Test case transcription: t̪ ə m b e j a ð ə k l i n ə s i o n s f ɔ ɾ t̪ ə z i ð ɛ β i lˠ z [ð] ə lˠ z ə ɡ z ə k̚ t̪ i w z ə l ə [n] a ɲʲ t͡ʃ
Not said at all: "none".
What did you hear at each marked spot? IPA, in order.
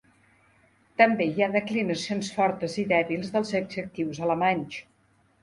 ð, m

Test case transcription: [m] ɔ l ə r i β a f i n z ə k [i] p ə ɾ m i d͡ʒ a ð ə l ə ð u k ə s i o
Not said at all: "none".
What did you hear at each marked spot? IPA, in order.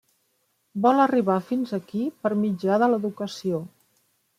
b, i

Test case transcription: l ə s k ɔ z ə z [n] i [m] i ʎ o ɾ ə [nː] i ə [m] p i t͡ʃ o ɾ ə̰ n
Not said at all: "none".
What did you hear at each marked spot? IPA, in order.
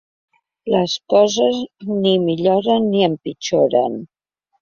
n, m, nː, m

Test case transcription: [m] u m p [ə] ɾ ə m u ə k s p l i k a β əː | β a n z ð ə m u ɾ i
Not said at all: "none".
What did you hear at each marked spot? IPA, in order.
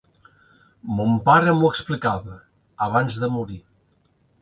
m, a

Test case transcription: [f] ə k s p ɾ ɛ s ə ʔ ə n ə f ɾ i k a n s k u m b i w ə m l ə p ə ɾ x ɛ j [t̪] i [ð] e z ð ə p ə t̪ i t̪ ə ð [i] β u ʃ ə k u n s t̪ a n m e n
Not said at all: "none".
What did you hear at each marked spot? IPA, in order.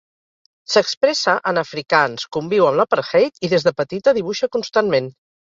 s, t̪, ð, i

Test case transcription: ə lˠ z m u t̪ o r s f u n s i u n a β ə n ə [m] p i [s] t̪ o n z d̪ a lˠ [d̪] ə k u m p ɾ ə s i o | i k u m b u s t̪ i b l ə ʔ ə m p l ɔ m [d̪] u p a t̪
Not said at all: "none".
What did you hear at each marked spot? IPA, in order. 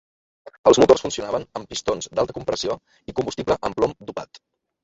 m, s, t̪, d̪

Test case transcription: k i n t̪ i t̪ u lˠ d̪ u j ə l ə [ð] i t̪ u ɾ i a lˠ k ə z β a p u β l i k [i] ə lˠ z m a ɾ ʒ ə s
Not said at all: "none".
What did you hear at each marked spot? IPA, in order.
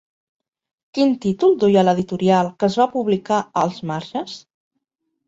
ð, a

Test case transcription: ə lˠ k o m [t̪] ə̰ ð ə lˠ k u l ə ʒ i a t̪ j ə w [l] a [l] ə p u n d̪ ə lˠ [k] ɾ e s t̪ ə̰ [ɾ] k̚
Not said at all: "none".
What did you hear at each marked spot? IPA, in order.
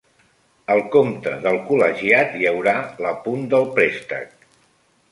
t̪, ɾ, l, p, none

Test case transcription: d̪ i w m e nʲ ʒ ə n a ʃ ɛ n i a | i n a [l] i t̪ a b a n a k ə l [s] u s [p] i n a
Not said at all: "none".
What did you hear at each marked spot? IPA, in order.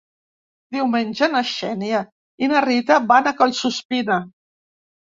r, s, p

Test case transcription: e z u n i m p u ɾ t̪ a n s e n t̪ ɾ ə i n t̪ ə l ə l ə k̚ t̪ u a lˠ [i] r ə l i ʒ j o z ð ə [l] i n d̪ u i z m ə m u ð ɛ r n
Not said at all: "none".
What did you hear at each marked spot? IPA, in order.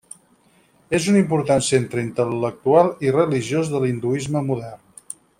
i, l

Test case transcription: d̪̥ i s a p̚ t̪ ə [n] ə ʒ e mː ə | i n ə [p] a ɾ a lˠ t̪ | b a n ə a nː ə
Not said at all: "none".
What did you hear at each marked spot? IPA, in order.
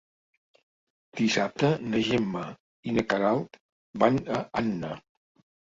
n, k

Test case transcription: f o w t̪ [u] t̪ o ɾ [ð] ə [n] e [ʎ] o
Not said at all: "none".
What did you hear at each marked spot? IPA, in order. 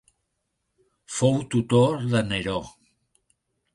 u, ð, n, ɾ

